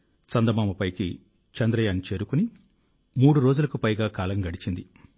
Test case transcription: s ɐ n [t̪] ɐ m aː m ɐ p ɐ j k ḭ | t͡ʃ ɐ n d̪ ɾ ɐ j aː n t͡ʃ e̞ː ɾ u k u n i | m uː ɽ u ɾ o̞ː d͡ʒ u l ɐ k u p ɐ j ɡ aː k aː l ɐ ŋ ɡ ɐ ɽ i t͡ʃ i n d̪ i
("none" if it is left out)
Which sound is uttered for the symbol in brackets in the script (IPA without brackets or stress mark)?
d̪